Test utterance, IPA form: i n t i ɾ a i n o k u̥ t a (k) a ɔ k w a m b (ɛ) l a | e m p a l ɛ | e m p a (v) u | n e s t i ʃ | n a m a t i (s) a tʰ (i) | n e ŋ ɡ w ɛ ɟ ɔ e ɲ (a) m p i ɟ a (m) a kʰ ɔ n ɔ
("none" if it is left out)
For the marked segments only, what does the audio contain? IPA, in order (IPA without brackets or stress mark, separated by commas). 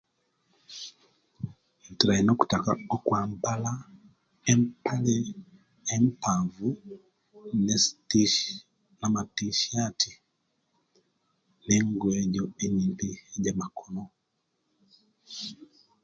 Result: k, a, v, ʃ, i, i, m